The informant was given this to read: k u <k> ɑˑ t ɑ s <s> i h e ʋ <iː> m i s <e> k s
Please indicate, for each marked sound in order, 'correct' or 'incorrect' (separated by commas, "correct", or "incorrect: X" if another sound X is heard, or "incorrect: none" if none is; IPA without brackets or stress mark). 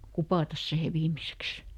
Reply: incorrect: p, correct, correct, correct